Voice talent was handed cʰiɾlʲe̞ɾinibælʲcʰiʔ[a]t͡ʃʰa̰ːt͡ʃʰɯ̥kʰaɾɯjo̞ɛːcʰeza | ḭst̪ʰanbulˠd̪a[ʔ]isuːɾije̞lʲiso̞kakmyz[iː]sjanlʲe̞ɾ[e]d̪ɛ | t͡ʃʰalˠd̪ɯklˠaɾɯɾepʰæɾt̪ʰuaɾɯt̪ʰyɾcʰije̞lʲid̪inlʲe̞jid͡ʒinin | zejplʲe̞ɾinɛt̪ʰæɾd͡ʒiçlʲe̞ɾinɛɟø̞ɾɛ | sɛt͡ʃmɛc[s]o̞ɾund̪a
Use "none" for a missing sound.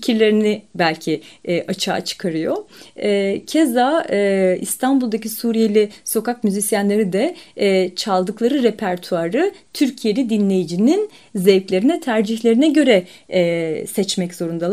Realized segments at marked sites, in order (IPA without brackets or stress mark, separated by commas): a, c, i, i, z